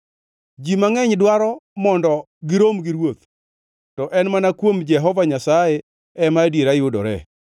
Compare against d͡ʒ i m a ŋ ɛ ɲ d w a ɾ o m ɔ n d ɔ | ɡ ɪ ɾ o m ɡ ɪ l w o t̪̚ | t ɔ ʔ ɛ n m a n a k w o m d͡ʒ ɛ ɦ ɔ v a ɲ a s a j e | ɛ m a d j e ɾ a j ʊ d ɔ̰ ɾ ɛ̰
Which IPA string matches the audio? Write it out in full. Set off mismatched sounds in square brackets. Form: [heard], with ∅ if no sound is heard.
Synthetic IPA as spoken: d͡ʒ i m a ŋ ɛ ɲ d w a ɾ [ɔ] m ɔ n d ɔ | ɡ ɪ ɾ o m ɡ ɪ [ɾ] w o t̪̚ | t ɔ ʔ ɛ n m a n a k w o m d͡ʒ ɛ ɦ ɔ v a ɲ a s a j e | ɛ m a d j e ɾ a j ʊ d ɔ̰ ɾ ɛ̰